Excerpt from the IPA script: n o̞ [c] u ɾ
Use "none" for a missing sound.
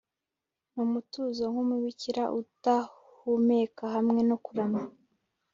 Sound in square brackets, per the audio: k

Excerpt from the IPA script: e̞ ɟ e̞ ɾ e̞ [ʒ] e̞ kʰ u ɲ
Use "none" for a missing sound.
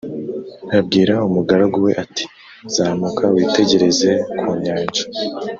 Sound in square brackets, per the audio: z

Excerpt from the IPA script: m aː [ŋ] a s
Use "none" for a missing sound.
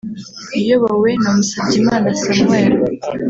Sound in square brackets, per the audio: n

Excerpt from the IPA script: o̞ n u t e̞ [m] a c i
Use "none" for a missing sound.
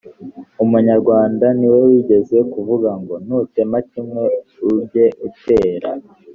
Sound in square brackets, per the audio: m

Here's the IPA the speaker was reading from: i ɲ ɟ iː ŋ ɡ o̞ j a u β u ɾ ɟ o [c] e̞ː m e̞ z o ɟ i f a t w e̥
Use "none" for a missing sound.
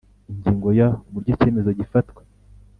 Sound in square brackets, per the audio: c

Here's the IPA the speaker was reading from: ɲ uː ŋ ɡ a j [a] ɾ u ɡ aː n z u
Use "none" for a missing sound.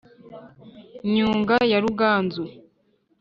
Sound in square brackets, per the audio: a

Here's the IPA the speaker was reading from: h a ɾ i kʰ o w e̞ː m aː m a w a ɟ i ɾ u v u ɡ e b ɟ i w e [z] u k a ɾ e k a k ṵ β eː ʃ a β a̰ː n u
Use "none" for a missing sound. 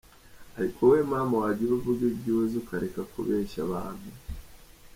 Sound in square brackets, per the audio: z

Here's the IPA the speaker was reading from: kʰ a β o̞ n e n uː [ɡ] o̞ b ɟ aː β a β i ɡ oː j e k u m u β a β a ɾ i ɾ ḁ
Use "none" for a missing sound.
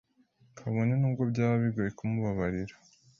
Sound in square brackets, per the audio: ɡ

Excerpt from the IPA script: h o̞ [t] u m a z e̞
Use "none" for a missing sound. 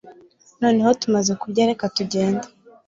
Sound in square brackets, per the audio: t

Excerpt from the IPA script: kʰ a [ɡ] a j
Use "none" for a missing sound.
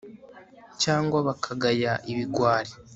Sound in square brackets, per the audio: ɡ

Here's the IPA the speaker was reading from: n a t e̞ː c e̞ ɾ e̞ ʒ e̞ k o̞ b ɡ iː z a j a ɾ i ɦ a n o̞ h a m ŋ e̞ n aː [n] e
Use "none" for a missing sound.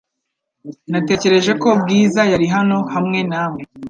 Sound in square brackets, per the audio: m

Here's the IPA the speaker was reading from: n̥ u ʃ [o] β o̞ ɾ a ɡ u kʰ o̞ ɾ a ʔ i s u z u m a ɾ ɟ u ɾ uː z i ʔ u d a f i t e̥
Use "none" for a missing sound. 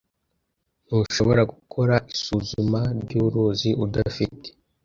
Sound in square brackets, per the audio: o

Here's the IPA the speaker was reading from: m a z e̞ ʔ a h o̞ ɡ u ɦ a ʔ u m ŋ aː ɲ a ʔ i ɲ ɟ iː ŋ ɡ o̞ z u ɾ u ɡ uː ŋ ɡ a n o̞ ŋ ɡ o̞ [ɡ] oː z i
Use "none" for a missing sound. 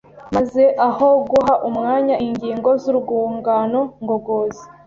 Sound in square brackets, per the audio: ɡ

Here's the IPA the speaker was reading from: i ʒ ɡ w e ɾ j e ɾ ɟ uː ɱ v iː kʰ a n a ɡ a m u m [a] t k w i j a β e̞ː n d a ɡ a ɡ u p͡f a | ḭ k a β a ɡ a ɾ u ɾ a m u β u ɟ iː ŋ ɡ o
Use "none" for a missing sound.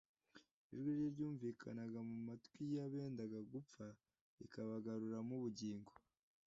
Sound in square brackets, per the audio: a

